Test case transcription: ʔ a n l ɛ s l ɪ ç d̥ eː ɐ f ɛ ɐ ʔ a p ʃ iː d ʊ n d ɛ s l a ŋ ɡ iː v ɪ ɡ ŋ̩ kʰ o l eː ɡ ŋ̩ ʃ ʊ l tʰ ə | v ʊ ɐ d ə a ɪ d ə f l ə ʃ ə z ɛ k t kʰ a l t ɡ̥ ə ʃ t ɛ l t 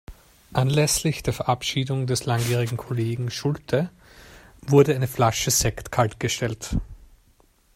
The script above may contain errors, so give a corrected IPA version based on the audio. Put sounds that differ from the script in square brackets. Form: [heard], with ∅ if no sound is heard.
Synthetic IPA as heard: ʔ a n l ɛ s l ɪ ç d̥ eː ɐ f ɛ ɐ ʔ a p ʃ iː d ʊ [ŋ] d ɛ s l a ŋ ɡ iː [ʁ] ɪ ɡ ŋ̩ kʰ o l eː ɡ ŋ̩ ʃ ʊ l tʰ ə | v ʊ ɐ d ə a ɪ [n] ə f l [a] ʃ ə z ɛ k t kʰ a l t ɡ̥ ə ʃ t ɛ l t